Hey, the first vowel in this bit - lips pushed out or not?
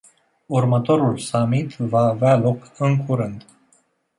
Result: yes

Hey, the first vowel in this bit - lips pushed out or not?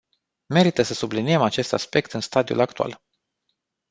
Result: no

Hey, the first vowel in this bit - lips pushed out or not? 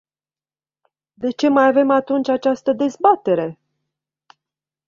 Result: no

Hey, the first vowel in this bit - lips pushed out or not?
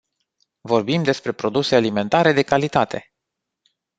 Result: yes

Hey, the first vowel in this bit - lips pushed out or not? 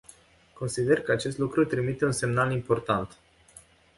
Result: yes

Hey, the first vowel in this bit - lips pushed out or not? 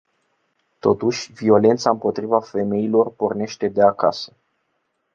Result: yes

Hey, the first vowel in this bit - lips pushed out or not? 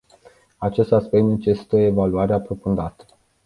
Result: no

